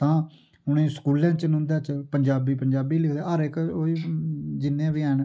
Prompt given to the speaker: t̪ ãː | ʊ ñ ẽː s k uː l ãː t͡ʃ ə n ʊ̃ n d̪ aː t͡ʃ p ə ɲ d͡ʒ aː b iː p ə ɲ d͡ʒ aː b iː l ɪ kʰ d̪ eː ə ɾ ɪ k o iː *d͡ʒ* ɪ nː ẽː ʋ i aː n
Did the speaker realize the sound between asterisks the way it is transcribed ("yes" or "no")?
yes